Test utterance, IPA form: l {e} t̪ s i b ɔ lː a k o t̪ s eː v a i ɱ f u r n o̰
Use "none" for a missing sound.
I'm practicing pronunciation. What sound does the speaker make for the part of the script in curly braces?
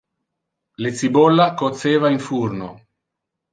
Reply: e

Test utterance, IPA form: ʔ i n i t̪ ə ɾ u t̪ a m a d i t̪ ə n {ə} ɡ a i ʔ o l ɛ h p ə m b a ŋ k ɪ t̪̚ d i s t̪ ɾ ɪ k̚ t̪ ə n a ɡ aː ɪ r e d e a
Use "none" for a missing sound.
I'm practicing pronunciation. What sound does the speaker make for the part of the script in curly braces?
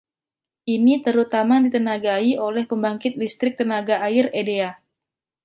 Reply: a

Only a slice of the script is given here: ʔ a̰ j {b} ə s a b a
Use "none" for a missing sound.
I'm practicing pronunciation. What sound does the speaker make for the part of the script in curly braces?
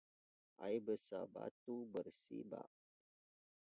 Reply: b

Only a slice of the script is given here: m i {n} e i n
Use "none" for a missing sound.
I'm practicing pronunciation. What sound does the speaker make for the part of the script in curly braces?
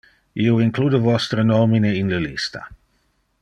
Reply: n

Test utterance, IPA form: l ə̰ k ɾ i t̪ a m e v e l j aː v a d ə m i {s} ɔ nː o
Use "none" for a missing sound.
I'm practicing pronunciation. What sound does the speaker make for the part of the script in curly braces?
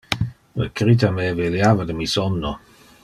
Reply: s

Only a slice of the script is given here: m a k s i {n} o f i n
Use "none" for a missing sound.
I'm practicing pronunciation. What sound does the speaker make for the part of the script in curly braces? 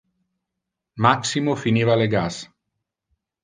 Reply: m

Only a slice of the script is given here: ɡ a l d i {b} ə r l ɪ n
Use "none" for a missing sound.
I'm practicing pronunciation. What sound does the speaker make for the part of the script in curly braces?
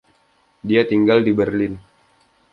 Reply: b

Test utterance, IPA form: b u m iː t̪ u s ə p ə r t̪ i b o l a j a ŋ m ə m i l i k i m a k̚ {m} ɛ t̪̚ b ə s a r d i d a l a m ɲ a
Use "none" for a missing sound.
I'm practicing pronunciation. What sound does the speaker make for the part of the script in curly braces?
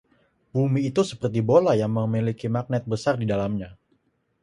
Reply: n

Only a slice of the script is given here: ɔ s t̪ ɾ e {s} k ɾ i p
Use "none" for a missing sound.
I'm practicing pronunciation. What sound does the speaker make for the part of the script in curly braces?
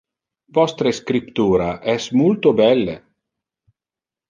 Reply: s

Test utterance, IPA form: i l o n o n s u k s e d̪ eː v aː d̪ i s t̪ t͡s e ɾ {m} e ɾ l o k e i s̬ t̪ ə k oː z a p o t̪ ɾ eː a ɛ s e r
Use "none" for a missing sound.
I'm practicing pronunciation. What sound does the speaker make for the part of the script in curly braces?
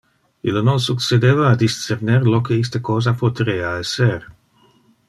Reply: n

